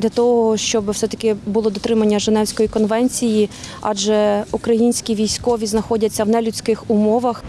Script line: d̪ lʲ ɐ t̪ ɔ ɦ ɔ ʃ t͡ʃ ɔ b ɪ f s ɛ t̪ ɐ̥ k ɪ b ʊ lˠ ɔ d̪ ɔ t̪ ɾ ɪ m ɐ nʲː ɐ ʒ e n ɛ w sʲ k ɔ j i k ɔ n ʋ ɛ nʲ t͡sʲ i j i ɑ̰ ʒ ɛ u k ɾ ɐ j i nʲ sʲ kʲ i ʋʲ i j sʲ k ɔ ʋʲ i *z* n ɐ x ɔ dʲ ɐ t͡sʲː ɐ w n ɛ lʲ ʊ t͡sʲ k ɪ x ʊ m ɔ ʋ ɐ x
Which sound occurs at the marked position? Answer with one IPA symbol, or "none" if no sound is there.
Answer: z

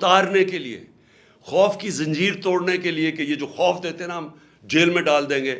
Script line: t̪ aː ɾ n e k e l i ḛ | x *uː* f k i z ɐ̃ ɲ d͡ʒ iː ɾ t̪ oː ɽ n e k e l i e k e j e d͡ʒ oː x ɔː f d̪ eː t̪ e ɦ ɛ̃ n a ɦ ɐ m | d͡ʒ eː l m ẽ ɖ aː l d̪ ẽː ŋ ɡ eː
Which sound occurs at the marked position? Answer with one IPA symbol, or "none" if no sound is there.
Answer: ɔː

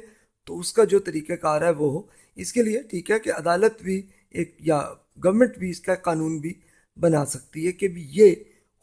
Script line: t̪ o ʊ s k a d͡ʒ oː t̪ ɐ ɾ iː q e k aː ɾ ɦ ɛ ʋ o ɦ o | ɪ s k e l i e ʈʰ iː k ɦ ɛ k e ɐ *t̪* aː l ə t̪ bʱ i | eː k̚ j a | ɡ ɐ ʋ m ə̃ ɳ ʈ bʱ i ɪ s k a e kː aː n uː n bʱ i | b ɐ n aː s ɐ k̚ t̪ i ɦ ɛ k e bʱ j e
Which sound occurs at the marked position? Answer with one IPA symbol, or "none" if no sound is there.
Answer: d̪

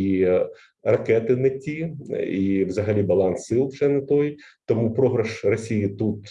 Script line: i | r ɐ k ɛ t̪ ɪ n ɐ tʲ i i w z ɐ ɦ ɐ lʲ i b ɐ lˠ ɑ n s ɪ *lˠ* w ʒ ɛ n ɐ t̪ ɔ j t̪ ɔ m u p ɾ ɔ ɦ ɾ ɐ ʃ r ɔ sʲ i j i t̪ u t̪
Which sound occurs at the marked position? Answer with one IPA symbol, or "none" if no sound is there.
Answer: lˠ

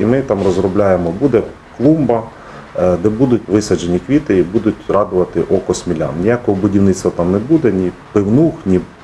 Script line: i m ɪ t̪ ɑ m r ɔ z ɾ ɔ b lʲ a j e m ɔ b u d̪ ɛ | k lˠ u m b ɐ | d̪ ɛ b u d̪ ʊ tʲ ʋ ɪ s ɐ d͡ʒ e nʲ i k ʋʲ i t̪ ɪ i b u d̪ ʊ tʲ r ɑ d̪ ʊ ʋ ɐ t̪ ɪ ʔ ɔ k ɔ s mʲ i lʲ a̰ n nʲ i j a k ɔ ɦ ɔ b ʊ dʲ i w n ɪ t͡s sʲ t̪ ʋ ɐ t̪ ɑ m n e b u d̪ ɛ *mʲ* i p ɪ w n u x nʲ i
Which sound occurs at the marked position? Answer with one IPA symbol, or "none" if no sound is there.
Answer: nʲ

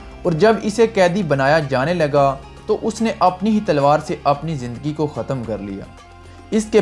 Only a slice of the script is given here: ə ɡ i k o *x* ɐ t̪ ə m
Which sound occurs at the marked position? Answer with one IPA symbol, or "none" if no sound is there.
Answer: x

